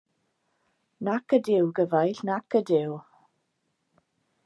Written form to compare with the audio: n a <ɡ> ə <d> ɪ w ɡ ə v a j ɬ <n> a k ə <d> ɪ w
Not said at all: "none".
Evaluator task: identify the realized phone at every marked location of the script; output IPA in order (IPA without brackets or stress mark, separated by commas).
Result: k, d, n, d